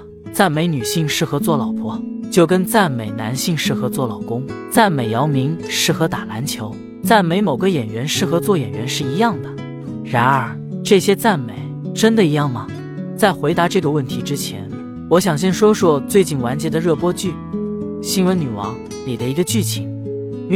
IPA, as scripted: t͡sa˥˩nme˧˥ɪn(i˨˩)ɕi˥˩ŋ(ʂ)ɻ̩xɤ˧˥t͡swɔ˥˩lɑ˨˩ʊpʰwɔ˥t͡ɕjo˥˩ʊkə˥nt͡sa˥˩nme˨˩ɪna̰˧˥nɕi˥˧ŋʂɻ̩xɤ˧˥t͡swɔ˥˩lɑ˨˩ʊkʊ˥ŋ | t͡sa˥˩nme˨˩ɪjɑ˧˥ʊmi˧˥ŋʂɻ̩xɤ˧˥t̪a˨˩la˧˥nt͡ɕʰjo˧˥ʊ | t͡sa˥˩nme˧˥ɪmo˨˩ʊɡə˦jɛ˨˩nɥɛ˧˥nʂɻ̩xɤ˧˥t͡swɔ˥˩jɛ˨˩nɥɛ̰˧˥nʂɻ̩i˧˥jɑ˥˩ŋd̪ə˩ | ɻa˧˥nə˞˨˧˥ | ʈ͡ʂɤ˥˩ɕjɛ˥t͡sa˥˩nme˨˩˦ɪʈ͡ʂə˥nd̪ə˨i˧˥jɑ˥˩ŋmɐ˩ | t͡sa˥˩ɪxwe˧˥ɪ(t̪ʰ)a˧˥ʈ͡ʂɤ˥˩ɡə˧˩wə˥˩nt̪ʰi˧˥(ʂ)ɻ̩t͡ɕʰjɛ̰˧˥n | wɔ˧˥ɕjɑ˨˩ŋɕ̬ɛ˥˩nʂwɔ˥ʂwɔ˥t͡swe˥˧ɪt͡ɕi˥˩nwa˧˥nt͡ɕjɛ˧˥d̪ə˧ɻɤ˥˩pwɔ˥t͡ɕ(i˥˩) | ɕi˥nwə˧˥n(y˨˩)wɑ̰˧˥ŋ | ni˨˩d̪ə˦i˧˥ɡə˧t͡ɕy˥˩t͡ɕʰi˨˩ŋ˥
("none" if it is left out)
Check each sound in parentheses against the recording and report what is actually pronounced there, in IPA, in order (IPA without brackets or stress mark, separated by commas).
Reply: y˨˩, ʂ, t̪, ʈ͡ʂ, y˥˩, y˨˩